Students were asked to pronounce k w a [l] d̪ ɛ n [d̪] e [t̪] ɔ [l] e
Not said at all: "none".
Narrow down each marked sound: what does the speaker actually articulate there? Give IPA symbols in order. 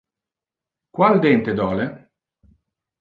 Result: l, t̪, d̪, l

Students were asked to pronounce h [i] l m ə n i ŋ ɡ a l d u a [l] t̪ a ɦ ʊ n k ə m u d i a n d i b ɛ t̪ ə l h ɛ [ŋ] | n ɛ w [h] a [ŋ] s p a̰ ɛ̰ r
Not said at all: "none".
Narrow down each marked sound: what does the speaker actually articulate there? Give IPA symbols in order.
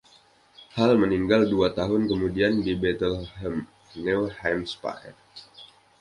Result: a, none, m, h, m

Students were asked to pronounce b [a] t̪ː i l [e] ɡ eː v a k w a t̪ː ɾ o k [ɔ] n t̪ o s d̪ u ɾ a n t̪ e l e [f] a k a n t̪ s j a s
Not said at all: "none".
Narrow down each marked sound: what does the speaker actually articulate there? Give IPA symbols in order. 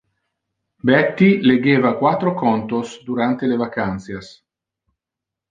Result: ɛ, e, ɔ, v

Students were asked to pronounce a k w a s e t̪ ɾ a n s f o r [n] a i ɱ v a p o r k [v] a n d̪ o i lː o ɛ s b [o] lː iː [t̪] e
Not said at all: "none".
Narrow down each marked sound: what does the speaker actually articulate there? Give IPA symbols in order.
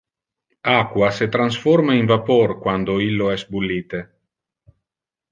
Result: m, w, u, t̪

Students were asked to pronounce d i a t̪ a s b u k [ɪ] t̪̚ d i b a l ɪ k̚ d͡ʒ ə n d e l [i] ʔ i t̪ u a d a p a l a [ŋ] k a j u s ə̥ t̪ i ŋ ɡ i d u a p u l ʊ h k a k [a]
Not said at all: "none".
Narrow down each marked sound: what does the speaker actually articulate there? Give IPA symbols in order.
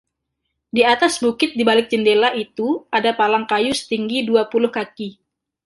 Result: ɪ, a, ŋ, i

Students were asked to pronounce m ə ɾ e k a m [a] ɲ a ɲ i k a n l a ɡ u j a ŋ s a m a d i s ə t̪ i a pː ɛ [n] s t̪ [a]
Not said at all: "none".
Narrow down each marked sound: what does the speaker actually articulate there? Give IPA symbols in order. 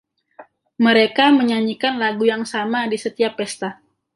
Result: ə, none, a

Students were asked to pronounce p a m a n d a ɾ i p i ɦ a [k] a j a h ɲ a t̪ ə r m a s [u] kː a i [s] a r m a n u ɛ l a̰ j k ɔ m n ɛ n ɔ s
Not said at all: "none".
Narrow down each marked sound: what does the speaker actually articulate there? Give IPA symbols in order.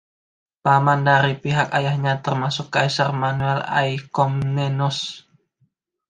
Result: k, ʊ, s

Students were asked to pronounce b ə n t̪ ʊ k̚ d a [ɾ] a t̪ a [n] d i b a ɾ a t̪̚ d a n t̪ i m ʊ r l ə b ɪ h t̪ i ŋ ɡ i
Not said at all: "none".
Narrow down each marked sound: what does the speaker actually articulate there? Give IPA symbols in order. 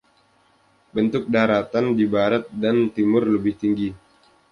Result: ɾ, n

